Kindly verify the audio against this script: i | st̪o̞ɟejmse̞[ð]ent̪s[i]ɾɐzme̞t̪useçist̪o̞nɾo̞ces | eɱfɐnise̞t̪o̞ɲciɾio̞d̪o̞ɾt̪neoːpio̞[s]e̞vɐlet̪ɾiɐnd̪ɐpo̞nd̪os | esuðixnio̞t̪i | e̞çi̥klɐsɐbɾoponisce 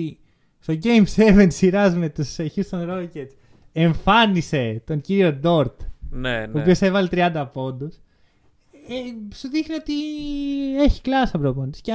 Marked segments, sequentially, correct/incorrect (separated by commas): incorrect, correct, correct